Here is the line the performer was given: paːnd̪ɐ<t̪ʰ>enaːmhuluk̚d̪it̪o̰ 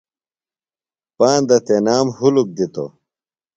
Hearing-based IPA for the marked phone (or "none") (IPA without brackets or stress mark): t̪